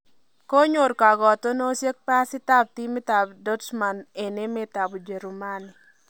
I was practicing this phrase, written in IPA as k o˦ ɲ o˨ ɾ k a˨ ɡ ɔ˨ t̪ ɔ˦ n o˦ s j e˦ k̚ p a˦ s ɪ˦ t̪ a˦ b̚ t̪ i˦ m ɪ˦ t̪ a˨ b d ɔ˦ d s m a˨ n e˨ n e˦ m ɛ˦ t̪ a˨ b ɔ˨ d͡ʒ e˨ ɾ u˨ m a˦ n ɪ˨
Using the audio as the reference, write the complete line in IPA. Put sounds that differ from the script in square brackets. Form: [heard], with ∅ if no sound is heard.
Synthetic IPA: k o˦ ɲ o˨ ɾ k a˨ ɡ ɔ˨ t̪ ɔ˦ n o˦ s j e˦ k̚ p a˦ s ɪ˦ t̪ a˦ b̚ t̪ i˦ m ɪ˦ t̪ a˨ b d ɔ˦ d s m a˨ n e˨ n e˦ m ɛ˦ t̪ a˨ b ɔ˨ d͡ʒ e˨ ɾ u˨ m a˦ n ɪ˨